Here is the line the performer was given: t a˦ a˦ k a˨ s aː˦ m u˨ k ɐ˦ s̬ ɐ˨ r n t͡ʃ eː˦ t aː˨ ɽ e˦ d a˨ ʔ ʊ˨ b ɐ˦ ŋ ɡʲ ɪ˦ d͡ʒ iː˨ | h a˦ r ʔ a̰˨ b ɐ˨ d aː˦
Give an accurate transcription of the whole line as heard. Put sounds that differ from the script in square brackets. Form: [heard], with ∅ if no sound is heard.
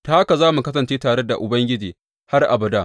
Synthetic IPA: t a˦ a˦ k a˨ [z] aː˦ m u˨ k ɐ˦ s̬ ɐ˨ [∅] n t͡ʃ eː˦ t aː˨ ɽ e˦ d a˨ ʔ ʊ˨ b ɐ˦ ŋ ɡʲ ɪ˦ d͡ʒ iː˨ | h a˦ r ʔ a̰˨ b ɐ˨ d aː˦